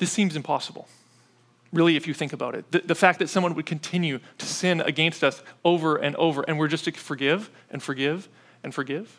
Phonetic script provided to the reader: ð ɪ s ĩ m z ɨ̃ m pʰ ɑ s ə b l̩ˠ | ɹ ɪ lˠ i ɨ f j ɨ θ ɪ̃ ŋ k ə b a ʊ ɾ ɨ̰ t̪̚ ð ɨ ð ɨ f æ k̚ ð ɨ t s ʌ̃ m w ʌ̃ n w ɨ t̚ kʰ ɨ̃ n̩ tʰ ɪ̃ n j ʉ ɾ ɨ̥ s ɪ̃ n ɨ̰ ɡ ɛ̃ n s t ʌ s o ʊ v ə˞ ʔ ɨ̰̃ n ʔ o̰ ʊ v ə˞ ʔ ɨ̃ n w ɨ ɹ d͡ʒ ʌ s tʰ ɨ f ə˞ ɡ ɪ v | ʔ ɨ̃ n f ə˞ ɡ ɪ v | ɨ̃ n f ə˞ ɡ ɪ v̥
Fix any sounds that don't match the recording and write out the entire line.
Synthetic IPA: ð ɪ s ĩ m z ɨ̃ m pʰ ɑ s ə b l̩ˠ | ɹ ɪ lˠ i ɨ f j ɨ θ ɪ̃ ŋ k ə b a ʊ ɾ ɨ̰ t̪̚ ð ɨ ð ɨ f æ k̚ ð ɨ t s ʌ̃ m w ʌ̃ n w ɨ d̚ kʰ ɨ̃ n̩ tʰ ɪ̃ n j ʉ ɾ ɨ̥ s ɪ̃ n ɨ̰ ɡ ɛ̃ n s t ʌ s o ʊ v ə˞ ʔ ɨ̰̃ n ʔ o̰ ʊ v ə˞ ʔ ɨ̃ n w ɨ ɹ d͡ʒ ʌ s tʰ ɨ f ə˞ ɡ ɪ v | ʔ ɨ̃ n f ə˞ ɡ ɪ v | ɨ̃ n f ə˞ ɡ ɪ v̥